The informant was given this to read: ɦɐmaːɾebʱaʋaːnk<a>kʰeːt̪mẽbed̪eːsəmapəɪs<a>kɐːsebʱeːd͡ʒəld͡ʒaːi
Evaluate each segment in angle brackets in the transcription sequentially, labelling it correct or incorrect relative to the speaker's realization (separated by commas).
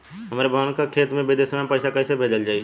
correct, correct